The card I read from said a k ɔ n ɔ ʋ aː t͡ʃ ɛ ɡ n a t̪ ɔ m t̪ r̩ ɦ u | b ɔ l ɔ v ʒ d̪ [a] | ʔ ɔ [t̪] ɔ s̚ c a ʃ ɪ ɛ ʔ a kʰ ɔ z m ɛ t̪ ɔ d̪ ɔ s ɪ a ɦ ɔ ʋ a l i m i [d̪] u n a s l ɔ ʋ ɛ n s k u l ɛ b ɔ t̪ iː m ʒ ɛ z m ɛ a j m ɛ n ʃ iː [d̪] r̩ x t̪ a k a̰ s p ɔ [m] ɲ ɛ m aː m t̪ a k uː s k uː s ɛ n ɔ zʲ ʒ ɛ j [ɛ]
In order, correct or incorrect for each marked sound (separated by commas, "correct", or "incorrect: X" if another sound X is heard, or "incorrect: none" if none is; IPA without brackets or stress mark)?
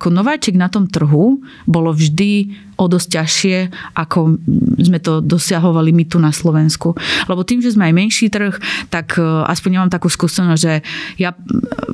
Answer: incorrect: i, incorrect: d̪, incorrect: t̪, incorrect: t̪, incorrect: ɲ, incorrect: a